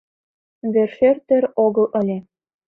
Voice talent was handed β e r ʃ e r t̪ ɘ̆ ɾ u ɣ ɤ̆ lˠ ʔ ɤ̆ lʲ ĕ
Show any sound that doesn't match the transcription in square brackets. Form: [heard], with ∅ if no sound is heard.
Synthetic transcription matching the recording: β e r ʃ e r t̪ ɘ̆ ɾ [o] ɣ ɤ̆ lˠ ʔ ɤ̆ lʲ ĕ